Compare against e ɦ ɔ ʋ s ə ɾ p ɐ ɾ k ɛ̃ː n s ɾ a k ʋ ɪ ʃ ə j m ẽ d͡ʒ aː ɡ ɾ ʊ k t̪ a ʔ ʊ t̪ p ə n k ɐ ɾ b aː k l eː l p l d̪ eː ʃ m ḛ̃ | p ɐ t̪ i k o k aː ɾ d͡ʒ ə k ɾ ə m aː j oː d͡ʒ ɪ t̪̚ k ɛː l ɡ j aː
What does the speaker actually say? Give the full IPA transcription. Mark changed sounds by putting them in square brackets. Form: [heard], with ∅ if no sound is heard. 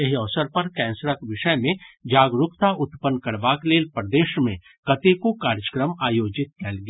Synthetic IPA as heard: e ɦ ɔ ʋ s ə ɾ p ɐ ɾ k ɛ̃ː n s ɾ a k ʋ ɪ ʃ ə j m ẽ d͡ʒ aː ɡ ɾ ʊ k t̪ a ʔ ʊ t̪ p ə n k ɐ ɾ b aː k l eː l p [ɾ] d̪ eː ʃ m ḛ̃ | [k] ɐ t̪ [e] k o k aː ɾ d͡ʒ ə k ɾ ə m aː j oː d͡ʒ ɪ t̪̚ k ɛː l ɡ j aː